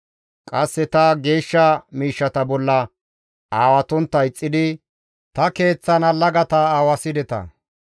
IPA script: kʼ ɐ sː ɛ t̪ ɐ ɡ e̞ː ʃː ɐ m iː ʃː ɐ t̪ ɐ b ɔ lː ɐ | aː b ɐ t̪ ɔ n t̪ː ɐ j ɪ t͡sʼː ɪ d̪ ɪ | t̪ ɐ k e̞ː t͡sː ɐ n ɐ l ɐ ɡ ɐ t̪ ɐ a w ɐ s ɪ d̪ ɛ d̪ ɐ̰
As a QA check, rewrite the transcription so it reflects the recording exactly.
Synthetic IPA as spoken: kʼ ɐ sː ɛ t̪ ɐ ɡ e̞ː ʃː ɐ m iː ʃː ɐ t̪ ɐ b ɔ lː ɐ | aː w ɐ t̪ ɔ n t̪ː ɐ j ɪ t͡sʼː ɪ d̪ ɪ | t̪ ɐ k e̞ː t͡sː ɐ n ɐ l ɐ ɡ ɐ t̪ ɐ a w ɐ s ɪ d̪ ɛ t̪ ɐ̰

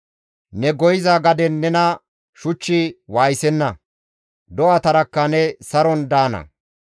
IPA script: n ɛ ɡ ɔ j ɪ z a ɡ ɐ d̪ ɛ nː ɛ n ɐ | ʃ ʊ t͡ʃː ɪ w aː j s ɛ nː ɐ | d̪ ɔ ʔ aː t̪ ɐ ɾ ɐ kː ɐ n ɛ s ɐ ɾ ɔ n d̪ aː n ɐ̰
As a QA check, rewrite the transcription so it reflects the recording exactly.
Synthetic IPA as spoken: n ɛ ɡ ɔ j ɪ z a ɡ ɐ d̪ ɛ nː ɛ n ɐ | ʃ ʊ t͡ʃː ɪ w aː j s ɛ nː ɐ | d̪ ɔ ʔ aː t̪ ɐ ɾ ɐ kː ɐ n ɛ s ɐ ɾ ɔ n d̪ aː n ɐ̰

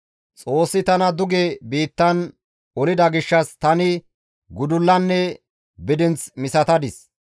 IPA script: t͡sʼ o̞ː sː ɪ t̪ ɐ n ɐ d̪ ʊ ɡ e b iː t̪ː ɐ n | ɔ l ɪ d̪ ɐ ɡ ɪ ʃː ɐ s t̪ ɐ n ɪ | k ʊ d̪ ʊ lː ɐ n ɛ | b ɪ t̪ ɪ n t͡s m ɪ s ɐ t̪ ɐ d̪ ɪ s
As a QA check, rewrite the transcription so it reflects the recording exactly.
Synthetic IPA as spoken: t͡sʼ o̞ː sː ɪ t̪ ɐ n ɐ d̪ ʊ ɡ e b iː t̪ː ɐ n | ɔ l ɪ d̪ ɐ ɡ ɪ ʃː ɐ s t̪ ɐ n ɪ | ɡ ʊ d̪ ʊ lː ɐ nː ɛ | b ɪ d̪ ɪ n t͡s m ɪ s ɐ t̪ ɐ d̪ ɪ s

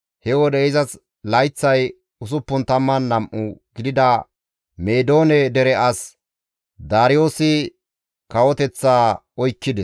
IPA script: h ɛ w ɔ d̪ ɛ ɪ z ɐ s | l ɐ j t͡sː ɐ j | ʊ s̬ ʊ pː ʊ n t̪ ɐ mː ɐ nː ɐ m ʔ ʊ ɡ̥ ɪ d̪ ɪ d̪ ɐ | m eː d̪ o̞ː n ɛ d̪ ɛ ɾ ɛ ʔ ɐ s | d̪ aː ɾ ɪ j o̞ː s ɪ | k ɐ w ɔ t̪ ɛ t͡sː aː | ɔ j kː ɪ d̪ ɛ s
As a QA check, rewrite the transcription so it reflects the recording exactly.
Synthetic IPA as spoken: h ɛ w ɔ d̪ ɛ ɪ z ɐ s | l ɐ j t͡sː ɐ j | ʊ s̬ ʊ pː ʊ n t̪ ɐ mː ɐ nː ɐ m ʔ ʊ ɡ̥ ɪ d̪ ɪ d̪ ɐ | m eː d̪ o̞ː n ɛ d̪ ɛ ɾ ɛ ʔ ɐ s | d̪ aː ɾ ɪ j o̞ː s ɪ | k ɐ w ɔ t̪ ɛ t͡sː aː | ɔ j kː ɪ d̪ ɛ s

